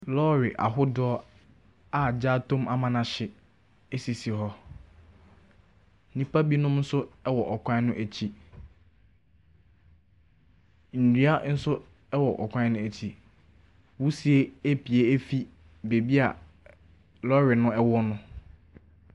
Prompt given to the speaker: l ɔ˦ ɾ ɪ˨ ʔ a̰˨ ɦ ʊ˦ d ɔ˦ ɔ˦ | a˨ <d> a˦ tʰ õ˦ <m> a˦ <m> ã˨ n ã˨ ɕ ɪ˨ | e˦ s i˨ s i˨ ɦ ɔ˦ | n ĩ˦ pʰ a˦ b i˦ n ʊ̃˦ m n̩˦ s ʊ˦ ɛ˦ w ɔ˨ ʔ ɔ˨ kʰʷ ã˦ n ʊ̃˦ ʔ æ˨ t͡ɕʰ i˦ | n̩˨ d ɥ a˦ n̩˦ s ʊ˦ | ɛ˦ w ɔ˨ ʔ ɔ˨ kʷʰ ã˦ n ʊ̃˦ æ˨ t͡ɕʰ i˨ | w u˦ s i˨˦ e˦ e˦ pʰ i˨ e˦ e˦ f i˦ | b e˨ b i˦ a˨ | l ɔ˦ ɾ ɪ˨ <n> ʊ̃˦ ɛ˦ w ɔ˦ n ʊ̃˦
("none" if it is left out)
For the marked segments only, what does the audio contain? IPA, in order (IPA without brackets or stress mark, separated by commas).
d͡ʑ, m, m, n